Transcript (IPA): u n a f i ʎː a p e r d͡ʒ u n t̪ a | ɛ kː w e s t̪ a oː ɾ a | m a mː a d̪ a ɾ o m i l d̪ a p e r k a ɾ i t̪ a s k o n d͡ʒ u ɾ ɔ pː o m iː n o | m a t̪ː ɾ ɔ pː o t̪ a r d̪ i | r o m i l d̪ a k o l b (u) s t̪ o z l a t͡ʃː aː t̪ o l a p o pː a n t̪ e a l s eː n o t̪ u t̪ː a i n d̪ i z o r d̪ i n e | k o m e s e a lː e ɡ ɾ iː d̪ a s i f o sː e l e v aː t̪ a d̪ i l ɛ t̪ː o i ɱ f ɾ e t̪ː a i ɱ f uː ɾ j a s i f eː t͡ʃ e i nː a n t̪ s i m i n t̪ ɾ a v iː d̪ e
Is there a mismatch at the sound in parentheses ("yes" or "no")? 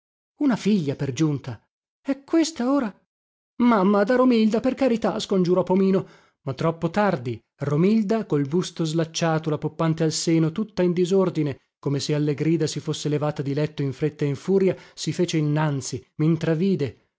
no